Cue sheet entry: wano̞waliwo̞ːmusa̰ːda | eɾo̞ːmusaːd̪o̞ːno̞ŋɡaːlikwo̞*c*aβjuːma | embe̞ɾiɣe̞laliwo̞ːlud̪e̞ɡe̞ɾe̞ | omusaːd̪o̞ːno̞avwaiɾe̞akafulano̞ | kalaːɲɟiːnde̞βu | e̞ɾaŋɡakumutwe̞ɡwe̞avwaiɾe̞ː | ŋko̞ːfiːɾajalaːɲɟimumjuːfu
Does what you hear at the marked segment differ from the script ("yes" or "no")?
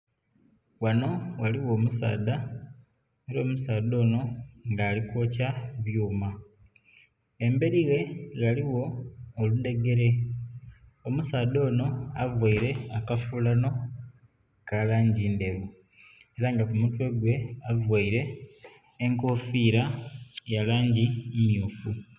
no